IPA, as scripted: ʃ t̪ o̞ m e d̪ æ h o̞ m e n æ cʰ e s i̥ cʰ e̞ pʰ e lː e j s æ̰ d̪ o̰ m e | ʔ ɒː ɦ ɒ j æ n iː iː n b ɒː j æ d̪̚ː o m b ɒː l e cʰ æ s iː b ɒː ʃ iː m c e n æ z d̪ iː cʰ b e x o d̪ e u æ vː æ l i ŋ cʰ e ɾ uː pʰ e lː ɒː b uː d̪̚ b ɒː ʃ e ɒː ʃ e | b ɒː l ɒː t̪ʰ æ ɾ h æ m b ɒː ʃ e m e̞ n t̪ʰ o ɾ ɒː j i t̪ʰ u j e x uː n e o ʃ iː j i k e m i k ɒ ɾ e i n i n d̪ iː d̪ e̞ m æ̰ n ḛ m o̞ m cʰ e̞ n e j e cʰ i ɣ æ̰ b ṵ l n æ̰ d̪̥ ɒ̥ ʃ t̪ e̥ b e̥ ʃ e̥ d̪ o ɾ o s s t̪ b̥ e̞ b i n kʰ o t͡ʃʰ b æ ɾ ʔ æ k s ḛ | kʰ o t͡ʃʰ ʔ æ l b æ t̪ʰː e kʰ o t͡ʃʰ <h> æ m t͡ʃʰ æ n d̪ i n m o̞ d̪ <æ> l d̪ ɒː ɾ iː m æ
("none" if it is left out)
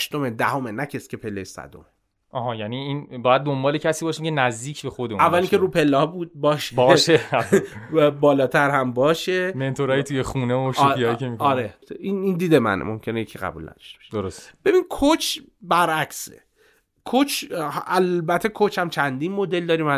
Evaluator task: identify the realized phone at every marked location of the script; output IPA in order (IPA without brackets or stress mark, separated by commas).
h, e